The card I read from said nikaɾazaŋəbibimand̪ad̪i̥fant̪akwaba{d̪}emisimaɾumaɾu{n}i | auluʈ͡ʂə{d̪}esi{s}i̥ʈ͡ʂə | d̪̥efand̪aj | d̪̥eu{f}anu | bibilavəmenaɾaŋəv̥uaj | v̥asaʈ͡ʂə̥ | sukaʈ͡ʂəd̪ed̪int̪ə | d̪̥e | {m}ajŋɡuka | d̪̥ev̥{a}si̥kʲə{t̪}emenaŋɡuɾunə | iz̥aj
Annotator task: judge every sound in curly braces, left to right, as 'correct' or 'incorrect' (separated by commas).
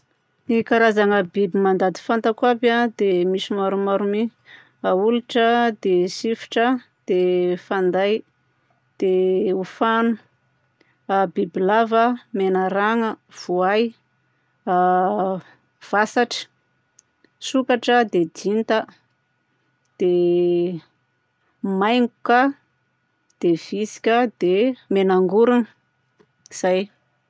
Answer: correct, incorrect, correct, incorrect, correct, correct, incorrect, incorrect